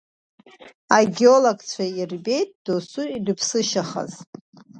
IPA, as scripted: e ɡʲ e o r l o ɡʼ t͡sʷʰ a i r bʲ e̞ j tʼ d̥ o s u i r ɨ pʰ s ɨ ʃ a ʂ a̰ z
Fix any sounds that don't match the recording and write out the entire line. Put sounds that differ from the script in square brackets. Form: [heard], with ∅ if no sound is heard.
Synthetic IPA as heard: [a] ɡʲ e o [∅] l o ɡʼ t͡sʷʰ a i r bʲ e̞ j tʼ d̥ o s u i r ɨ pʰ s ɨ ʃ a [χ] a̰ z